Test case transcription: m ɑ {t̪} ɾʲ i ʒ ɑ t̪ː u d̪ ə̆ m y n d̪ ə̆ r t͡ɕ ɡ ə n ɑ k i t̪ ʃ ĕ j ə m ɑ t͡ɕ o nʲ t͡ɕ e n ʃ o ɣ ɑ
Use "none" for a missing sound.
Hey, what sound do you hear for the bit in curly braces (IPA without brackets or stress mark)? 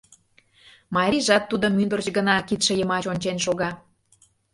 none